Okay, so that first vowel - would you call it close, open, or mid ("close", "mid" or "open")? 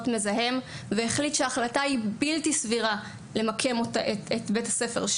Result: mid